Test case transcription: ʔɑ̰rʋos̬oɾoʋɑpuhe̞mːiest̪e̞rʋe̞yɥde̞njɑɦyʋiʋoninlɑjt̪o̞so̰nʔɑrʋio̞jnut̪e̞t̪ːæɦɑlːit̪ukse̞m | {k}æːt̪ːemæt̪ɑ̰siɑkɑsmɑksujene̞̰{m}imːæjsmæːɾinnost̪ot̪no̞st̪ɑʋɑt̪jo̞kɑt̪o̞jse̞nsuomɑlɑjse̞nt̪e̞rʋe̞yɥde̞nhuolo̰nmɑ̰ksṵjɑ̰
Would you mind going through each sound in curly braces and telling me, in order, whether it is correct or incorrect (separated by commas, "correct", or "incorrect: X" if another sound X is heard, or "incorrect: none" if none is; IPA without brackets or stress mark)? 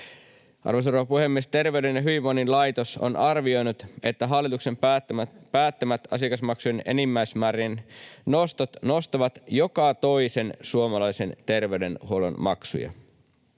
incorrect: p, incorrect: n